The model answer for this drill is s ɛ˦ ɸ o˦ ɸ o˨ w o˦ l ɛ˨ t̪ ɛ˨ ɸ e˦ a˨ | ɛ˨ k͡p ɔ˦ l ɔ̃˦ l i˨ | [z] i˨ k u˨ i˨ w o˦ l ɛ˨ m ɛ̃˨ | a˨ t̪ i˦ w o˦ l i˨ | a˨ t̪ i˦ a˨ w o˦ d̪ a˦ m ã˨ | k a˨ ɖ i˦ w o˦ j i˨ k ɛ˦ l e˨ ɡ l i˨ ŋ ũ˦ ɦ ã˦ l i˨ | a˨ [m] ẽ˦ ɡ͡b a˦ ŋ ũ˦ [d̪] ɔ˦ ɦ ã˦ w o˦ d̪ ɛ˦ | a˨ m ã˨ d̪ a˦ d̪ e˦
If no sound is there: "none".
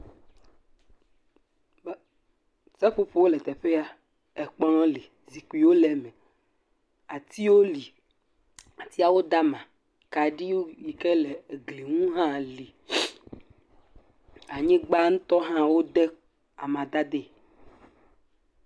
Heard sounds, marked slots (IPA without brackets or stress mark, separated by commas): z, ɲ, t̪